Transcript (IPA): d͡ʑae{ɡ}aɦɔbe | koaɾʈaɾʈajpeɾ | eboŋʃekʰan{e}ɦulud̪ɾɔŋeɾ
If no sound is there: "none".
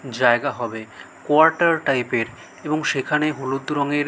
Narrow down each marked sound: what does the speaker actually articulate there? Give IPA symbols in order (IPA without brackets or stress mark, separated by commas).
ɡ, e